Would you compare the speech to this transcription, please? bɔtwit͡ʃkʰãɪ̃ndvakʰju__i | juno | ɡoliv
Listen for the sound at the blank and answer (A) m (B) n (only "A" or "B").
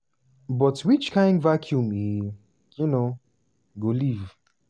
A